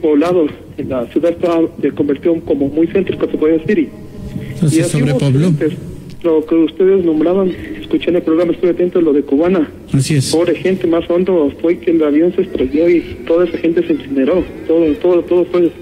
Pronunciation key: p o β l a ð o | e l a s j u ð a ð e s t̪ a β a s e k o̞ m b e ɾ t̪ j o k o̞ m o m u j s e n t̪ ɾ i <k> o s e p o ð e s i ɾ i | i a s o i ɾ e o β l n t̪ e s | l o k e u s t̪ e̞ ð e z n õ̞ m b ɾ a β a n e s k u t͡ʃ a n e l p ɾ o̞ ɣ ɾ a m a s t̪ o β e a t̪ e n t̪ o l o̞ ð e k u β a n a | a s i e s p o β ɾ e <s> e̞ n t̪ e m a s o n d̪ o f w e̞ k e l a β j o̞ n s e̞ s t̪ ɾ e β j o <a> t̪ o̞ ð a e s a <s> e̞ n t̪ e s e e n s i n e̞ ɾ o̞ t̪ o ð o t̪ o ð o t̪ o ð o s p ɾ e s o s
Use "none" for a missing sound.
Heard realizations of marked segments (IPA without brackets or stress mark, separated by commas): k, x, i, x